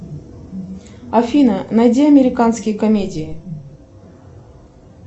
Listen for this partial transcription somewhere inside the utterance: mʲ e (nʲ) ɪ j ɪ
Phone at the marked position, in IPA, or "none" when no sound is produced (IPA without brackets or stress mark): dʲ